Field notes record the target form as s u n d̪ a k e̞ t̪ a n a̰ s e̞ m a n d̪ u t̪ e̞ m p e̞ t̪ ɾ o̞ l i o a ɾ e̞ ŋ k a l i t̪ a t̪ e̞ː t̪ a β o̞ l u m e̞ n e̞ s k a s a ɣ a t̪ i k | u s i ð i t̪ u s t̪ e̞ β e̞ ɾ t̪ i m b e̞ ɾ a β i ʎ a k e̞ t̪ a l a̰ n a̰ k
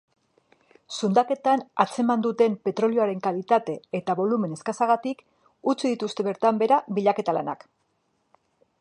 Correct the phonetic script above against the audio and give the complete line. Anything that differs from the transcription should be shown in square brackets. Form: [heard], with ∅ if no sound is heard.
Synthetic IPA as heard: s u n d̪ a k e̞ t̪ a n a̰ [t͡s] e̞ m a n d̪ u t̪ e̞ m p e̞ t̪ ɾ o̞ l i o a ɾ e̞ ŋ k a l i t̪ a t̪ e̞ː t̪ a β o̞ l u m e̞ n e̞ s k a s a ɣ a t̪ i k | u [t͡s] i ð i t̪ u s t̪ e̞ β e̞ ɾ t̪ [a] m b e̞ ɾ a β i ʎ a k e̞ t̪ a l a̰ n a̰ k